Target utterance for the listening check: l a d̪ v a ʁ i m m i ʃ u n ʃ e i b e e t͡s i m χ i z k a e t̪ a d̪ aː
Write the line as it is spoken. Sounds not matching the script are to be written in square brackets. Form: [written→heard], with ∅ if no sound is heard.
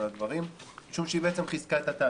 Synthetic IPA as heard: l a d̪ v a ʁ i m m i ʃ u [n→m] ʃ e i b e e t͡s [i→e] m χ i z k a e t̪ a [d̪→t̪] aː